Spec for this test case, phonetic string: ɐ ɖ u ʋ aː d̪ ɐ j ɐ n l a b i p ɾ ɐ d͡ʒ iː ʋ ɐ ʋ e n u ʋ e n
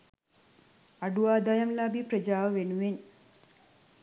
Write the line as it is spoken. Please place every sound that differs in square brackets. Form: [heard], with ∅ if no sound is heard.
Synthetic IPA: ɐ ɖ u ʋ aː d̪ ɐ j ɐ [m] l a b i p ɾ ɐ d͡ʒ [aː] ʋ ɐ ʋ e n u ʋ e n